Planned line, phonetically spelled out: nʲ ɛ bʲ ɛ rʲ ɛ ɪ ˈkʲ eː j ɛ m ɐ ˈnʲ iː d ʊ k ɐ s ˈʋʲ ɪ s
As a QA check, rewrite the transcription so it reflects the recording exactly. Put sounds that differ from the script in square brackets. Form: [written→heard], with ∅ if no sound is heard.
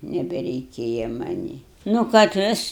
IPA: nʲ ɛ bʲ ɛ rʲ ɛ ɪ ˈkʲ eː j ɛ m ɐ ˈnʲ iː [d→n] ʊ k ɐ [s→t] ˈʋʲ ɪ s